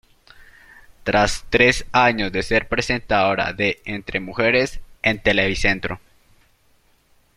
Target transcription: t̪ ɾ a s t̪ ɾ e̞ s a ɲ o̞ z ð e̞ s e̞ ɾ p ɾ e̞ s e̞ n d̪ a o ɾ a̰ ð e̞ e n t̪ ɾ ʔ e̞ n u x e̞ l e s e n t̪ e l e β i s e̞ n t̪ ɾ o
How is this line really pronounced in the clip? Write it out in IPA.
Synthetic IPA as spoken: t̪ ɾ a s t̪ ɾ e̞ s a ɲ o̞ z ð e̞ s e̞ ɾ p ɾ e̞ s e̞ n t̪ a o ɾ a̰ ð e̞ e n t̪ ɾ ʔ e̞ m u x e̞ ɾ e s e n t̪ e l e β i s e̞ n t̪ ɾ o